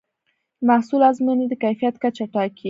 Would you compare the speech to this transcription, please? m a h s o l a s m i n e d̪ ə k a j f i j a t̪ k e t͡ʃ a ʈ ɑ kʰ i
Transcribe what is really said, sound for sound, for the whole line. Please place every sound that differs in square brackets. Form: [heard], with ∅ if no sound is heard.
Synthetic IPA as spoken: m a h s [u] l a [z] m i n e d̪ ə k a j f i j a t̪ k [a] t͡ʃ a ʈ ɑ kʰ i